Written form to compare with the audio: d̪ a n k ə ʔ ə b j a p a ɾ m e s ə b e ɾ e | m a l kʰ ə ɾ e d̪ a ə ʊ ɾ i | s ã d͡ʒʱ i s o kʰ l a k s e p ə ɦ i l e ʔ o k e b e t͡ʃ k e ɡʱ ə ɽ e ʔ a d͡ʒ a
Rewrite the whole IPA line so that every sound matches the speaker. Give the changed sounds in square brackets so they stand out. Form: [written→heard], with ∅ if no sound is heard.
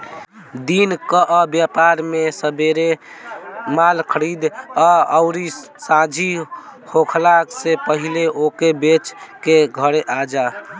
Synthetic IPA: d̪ [a→i] n k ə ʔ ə b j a p a ɾ m e s ə b e ɾ e | m a l kʰ ə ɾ [e→i] d̪ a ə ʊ ɾ i | s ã d͡ʒʱ i [s→h] o kʰ l a k s e p ə ɦ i l e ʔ o k e b e t͡ʃ k e ɡʱ ə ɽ e ʔ a d͡ʒ a